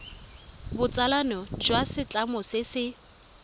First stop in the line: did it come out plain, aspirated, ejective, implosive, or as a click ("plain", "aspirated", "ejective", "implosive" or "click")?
plain